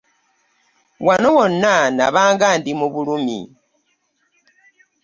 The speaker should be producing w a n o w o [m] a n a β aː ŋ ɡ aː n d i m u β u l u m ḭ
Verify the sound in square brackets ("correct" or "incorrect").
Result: incorrect